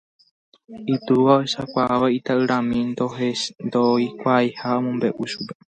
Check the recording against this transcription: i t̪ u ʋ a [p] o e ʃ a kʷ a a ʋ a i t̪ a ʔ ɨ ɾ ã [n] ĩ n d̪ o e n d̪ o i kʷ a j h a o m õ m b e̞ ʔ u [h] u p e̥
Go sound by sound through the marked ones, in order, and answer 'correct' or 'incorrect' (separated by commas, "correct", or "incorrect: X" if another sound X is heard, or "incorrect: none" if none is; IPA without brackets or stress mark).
incorrect: none, incorrect: m, incorrect: ʃ